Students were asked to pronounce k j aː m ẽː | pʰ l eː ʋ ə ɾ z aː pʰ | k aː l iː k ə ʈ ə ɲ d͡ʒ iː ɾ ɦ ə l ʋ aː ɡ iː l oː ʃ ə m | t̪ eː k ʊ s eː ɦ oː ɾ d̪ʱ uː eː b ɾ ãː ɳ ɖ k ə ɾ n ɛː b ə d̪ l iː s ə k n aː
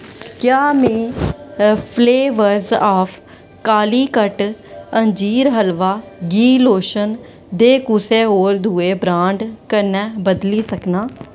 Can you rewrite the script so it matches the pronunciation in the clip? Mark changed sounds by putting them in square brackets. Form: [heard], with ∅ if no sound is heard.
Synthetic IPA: k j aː m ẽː | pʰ l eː ʋ ə ɾ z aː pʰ | k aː l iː k ə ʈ ə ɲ d͡ʒ iː ɾ ɦ ə l ʋ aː ɡ iː l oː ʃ ə [n] | [d̪] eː k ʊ s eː ɦ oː ɾ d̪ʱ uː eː b ɾ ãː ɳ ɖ k ə ɾ n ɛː b ə d̪ l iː s ə k n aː